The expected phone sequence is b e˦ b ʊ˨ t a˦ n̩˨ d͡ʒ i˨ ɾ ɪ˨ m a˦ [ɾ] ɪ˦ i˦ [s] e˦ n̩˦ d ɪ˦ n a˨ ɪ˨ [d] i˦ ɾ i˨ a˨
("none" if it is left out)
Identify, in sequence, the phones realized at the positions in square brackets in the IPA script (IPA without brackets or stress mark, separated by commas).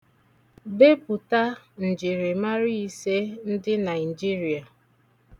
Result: ɾ, s, d͡ʒ